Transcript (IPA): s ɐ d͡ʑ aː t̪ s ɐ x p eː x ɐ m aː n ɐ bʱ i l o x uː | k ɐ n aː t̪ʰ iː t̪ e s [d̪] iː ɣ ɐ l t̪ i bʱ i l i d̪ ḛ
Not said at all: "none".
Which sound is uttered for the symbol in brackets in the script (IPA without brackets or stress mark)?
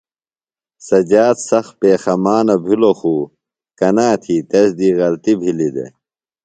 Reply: d̪